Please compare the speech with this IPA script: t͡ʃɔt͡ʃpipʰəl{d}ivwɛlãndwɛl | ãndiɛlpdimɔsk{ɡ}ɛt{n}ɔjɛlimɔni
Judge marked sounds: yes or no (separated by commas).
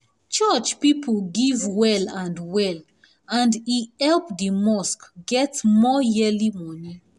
no, yes, no